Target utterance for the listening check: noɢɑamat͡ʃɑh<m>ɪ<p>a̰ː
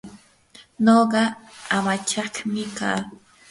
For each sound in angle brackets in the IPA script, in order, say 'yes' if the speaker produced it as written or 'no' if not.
yes, no

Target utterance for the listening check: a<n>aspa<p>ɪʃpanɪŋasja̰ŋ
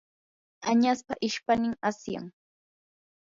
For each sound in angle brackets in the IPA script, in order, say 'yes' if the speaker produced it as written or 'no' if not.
no, no

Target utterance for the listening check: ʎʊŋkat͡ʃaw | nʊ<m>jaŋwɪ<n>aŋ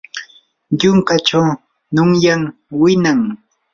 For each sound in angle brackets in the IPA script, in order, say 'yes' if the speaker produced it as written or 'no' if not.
no, yes

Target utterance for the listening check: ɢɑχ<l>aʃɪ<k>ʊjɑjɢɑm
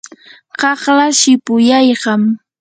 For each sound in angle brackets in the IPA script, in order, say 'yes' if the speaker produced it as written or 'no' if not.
yes, no

